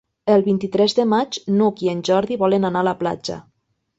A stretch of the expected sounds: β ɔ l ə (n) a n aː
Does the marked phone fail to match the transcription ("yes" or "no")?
no